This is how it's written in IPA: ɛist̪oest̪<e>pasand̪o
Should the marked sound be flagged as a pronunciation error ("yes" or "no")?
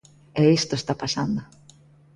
yes